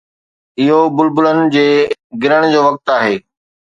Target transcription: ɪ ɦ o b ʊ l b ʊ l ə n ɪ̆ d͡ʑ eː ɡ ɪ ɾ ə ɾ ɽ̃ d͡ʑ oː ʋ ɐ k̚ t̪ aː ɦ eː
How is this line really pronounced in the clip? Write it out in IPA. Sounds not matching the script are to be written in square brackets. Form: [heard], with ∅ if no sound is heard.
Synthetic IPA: ɪ ɦ o b ʊ l b ʊ l ə n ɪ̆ d͡ʑ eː ɡ ɪ ɾ ə [∅] ɽ̃ d͡ʑ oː ʋ ɐ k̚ t̪ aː ɦ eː